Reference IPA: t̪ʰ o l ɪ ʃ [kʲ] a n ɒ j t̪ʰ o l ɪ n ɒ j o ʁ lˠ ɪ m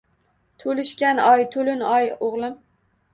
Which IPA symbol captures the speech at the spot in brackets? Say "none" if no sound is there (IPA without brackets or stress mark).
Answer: kʲ